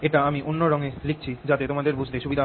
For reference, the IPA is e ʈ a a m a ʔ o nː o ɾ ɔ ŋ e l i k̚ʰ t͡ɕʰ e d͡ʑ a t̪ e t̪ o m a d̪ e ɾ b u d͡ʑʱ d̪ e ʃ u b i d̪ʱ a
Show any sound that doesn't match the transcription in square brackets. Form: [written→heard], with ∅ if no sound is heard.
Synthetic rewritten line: e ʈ a a m [a→i] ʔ o nː o ɾ ɔ ŋ e l i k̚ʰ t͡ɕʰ [e→i] d͡ʑ a t̪ e t̪ o m a d̪ e ɾ b u d͡ʑʱ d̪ e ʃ u b i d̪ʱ a